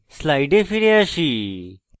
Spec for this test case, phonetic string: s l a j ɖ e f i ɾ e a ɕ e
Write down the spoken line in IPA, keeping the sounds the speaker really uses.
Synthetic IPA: s l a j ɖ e f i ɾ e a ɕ i